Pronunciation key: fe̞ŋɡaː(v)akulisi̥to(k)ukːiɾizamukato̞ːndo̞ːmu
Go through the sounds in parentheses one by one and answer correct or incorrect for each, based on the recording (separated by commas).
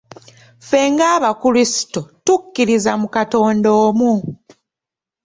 incorrect, incorrect